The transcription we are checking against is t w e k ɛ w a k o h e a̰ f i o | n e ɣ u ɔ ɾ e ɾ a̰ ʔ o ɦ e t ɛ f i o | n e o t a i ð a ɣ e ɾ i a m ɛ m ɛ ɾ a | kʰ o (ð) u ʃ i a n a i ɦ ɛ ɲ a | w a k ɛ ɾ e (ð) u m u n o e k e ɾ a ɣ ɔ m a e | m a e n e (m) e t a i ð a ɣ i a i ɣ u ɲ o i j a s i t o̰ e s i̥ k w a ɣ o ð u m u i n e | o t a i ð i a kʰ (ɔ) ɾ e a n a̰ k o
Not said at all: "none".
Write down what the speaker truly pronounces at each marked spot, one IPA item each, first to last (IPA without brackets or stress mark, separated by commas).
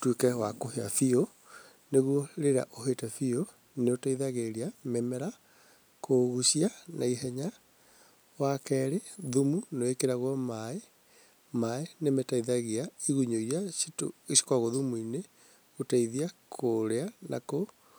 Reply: ɣ, ð, m, o